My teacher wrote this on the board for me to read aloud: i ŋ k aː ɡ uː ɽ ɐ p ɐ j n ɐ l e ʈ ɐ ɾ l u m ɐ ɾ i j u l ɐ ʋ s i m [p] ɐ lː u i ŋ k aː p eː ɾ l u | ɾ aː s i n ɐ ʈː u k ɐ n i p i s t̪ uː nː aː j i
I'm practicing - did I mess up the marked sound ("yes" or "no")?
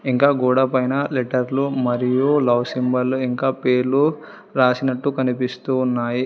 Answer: yes